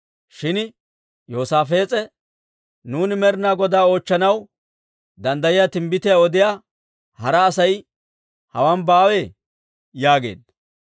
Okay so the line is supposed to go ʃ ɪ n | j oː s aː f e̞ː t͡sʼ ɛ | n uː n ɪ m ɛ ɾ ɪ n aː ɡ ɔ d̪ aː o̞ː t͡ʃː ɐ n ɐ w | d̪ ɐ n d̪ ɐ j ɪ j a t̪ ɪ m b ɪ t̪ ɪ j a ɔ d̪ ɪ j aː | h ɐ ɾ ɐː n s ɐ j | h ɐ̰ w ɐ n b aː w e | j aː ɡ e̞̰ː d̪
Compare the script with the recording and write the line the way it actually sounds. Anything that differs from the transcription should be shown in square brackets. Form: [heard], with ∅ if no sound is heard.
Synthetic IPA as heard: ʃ ɪ n | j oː s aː f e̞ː t͡sʼ ɛ | n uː n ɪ m ɛ ɾ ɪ n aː ɡ ɔ d̪ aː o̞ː t͡ʃː ɐ n ɐ w | d̪ ɐ n d̪ ɐ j ɪ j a t̪ ɪ m b ɪ t̪ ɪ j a ɔ d̪ ɪ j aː | h ɐ ɾ ɐː [∅] s ɐ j | h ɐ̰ w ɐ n b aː w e | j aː ɡ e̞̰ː d̪